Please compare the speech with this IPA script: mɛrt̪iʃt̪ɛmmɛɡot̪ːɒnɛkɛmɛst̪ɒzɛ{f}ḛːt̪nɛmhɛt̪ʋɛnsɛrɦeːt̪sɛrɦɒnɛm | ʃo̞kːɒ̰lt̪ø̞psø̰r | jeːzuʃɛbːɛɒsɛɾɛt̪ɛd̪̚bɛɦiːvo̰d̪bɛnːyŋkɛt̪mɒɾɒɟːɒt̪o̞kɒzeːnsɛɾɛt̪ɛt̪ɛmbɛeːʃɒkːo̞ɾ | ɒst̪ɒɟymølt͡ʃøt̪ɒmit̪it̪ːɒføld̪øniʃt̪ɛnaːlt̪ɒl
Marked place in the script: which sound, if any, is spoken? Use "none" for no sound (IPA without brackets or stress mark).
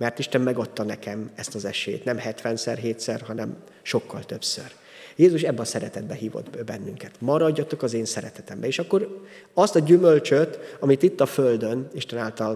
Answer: ʃ